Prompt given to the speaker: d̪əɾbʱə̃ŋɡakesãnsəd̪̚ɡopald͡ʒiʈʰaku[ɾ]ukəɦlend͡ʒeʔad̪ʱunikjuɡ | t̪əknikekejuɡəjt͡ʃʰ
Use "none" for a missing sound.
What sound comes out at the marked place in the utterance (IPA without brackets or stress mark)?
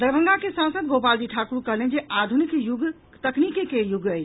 ɾ